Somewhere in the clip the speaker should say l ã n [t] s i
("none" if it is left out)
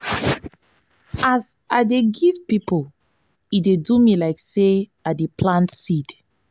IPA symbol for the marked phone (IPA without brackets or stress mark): t